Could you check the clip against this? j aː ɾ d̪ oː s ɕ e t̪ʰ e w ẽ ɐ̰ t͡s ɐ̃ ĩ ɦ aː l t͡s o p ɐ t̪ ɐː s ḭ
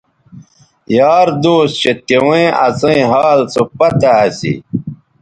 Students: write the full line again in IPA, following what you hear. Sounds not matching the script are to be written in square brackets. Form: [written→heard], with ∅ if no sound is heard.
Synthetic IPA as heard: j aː ɾ d̪ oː s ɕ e [t̪ʰ→t̪] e w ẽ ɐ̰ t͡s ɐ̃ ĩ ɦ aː l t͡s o p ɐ t̪ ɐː s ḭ